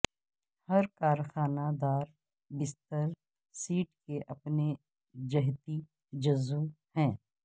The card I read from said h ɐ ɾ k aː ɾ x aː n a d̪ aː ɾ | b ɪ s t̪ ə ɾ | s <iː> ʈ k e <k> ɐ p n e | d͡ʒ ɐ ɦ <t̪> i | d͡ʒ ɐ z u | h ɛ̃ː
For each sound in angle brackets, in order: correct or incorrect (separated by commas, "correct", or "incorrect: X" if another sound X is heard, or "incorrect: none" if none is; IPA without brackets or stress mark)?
correct, incorrect: ʔ, correct